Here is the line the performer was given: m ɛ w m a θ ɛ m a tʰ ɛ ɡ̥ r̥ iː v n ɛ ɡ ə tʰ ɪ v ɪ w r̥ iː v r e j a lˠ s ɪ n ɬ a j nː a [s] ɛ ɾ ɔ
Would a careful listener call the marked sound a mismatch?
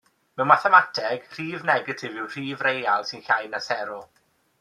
no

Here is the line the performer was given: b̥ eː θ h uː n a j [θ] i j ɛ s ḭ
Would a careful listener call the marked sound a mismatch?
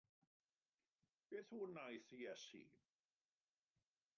no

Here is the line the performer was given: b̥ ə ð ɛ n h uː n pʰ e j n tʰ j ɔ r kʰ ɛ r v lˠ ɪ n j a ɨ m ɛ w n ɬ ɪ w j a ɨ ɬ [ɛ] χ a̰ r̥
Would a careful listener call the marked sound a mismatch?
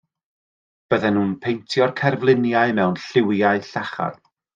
yes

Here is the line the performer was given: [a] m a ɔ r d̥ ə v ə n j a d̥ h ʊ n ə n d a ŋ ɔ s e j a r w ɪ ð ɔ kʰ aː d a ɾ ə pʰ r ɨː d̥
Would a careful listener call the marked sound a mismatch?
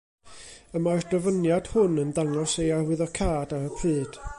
yes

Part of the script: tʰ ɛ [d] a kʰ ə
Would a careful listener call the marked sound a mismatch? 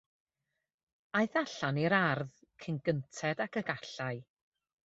no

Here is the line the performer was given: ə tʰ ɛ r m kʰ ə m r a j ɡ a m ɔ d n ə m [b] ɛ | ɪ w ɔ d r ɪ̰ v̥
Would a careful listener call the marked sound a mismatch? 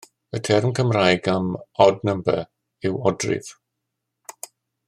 no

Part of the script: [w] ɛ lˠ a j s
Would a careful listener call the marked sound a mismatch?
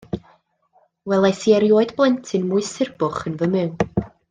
no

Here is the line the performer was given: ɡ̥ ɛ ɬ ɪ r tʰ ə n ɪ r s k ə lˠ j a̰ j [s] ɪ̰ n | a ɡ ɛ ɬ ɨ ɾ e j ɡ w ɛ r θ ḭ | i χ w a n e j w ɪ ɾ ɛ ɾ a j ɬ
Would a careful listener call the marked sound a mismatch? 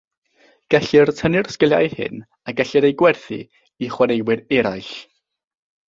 yes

